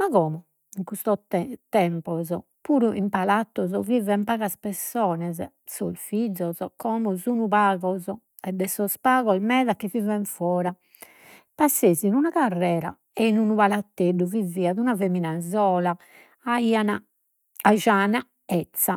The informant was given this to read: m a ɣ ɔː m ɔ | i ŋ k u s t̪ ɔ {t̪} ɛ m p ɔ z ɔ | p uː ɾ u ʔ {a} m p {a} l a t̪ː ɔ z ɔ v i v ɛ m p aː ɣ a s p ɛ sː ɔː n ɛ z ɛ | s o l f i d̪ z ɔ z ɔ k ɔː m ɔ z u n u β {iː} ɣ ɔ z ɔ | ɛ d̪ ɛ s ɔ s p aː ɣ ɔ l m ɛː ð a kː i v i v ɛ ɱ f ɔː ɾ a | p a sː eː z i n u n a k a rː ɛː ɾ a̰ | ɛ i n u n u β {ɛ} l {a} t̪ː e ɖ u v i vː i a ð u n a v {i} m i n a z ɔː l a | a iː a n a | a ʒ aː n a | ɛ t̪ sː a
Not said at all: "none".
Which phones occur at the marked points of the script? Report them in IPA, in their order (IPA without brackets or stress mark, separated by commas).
t̪, i, a, aː, a, a, e